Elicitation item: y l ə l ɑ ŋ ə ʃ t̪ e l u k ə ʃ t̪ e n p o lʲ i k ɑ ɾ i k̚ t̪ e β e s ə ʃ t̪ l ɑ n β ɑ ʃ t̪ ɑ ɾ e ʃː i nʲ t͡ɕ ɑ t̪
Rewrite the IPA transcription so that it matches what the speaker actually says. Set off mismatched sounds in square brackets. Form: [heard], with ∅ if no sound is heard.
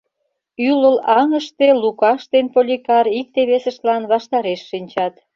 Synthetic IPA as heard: y l ə l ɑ ŋ ə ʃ t̪ e l u k [ɑ] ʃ t̪ e n p o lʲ i k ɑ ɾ i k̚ t̪ e β e s ə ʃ t̪ l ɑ n β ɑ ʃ t̪ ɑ ɾ e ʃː i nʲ t͡ɕ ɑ t̪